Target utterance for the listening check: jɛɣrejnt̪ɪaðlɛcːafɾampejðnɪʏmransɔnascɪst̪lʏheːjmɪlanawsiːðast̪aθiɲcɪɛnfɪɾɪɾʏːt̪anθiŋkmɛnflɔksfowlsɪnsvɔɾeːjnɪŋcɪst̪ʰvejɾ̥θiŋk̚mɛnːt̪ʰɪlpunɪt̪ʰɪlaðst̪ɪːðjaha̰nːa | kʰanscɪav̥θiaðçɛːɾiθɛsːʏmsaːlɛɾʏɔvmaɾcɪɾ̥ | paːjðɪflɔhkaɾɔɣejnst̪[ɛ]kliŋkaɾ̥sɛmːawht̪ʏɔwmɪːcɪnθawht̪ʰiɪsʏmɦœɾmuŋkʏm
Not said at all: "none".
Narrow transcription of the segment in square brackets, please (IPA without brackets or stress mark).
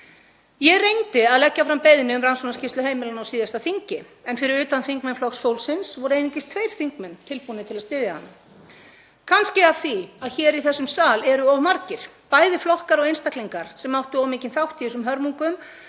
a